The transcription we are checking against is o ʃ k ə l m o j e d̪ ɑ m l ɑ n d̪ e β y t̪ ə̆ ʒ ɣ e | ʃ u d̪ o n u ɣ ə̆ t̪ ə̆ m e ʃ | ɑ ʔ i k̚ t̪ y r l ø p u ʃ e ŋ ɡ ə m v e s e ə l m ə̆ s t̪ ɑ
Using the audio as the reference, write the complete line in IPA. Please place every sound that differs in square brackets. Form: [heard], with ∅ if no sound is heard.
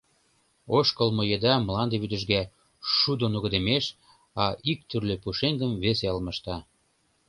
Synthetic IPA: o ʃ k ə l m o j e d̪ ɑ m l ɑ n d̪ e β y [d̪] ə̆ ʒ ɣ [æ] | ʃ u d̪ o n u ɣ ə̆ [d̪] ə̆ m e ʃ | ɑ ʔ i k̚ t̪ y r l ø p u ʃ e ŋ ɡ ə m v e s e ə l m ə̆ [ʃ] t̪ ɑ